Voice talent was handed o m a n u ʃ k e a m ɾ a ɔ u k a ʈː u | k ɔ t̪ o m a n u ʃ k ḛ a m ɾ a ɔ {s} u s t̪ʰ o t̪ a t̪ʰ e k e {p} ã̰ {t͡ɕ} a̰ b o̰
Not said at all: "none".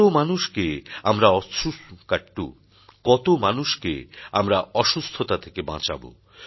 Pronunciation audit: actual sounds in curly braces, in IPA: ʃ, b, t͡ɕ

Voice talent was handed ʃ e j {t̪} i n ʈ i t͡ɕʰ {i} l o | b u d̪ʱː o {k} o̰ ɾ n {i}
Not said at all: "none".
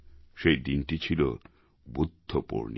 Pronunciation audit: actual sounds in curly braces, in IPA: d̪, i, p, i

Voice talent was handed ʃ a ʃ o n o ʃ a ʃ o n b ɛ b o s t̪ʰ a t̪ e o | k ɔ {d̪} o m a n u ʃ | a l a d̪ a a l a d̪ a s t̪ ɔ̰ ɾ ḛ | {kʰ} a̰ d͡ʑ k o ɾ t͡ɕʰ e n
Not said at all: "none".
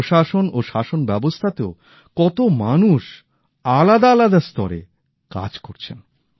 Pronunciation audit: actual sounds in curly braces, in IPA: t̪, k

